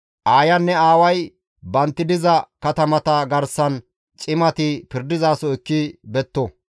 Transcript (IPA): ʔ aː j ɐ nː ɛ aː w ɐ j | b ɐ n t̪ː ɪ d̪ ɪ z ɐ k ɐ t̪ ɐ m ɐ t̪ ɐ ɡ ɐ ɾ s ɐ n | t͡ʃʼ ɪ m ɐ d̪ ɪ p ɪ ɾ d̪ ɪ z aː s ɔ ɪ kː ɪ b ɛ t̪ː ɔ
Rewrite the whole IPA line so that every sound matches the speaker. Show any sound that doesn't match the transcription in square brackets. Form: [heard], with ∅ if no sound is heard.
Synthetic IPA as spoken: ʔ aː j ɐ nː ɛ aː w ɐ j | b ɐ n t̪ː ɪ d̪ ɪ z ɐ k ɐ t̪ ɐ m ɐ t̪ ɐ ɡ ɐ ɾ s ɐ n | t͡ʃʼ ɪ m ɐ [t̪] ɪ p ɪ ɾ d̪ ɪ z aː s ɔ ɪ kː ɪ b ɛ t̪ː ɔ